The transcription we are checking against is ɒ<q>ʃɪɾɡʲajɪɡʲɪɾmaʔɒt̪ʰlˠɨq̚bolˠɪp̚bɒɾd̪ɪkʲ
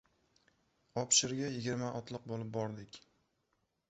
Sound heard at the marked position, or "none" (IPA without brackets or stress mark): p